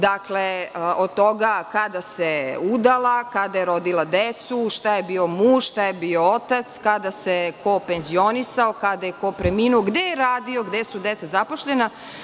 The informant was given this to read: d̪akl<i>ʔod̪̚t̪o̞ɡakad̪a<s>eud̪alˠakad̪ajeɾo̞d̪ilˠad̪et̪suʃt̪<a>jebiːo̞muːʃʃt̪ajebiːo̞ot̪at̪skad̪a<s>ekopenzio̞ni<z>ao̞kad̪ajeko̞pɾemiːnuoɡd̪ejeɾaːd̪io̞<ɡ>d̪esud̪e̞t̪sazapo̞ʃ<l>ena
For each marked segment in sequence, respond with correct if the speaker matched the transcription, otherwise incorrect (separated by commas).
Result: incorrect, correct, correct, correct, incorrect, correct, incorrect